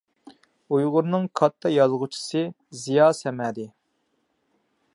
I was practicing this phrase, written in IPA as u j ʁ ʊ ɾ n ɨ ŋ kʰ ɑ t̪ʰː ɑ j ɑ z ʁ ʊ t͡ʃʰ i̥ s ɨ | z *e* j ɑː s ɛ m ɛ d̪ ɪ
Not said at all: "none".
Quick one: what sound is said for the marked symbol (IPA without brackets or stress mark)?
i